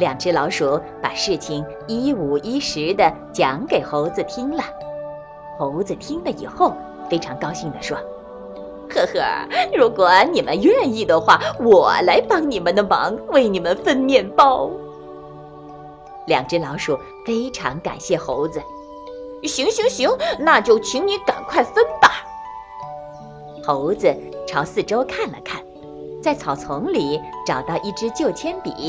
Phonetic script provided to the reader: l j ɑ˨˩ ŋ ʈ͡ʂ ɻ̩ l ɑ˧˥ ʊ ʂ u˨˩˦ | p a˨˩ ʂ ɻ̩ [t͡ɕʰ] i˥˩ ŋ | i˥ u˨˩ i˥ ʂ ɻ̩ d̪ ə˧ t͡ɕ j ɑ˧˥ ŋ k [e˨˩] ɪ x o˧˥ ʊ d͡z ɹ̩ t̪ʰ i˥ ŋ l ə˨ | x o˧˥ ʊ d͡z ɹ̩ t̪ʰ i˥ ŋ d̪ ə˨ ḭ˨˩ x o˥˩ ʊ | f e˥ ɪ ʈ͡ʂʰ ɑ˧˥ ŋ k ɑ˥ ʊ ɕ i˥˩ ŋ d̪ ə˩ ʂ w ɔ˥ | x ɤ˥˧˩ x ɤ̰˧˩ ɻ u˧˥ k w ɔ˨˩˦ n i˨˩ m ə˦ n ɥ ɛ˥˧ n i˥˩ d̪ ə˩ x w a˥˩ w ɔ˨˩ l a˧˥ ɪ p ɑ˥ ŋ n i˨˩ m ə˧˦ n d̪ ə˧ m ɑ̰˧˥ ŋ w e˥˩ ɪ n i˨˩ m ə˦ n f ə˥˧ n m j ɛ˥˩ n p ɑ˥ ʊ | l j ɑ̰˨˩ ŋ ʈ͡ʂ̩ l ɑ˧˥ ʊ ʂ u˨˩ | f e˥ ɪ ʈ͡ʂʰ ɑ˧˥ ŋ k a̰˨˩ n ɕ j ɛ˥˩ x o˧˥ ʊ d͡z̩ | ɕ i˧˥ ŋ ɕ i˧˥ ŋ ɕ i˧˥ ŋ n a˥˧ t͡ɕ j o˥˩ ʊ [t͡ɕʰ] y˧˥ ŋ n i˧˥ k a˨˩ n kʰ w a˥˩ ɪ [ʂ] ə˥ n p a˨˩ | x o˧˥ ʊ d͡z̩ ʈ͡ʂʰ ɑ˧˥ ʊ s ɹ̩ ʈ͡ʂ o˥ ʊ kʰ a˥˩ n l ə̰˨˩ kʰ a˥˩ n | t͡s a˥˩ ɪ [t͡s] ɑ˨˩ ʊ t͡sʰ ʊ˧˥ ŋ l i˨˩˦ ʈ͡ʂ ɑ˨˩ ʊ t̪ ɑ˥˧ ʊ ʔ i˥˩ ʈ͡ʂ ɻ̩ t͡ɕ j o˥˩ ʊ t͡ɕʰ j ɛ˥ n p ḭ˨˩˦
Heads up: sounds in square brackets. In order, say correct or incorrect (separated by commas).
correct, correct, correct, incorrect, incorrect